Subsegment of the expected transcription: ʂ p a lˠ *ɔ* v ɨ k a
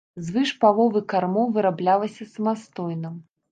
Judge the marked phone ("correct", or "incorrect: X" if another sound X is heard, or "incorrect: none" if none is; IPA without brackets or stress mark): correct